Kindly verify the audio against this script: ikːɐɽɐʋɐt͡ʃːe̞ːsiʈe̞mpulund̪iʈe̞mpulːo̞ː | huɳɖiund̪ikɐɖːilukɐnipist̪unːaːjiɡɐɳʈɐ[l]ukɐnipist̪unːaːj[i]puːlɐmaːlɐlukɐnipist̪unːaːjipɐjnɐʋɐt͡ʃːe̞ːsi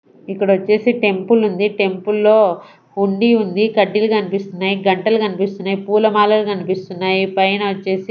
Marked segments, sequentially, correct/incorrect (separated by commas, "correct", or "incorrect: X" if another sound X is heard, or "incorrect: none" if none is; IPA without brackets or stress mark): correct, correct